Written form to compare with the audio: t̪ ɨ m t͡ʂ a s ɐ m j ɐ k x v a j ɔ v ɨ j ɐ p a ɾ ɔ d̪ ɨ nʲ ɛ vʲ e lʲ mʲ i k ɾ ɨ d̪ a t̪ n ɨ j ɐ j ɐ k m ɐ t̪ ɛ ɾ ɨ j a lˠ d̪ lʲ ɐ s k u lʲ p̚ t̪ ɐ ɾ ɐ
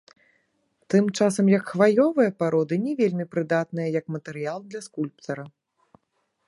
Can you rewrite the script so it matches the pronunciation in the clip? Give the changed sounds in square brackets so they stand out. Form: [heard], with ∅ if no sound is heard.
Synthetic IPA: t̪ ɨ m t͡ʂ a s ɐ m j ɐ k x v a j ɔ v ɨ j ɐ p a ɾ ɔ d̪ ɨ nʲ ɛ vʲ e lʲ mʲ i [p] ɾ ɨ d̪ a t̪ n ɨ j ɐ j ɐ k m ɐ t̪ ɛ ɾ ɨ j a lˠ d̪ lʲ ɐ s k u lʲ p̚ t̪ ɐ ɾ ɐ